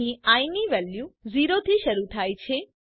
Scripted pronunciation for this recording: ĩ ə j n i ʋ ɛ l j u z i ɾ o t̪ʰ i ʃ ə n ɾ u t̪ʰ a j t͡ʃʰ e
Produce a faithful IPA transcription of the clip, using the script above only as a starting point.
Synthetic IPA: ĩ a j n i ʋ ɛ l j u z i ɾ o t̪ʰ i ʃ ə ɾ u t̪ʰ a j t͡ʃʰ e